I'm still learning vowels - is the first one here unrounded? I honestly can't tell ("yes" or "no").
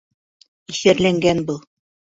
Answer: yes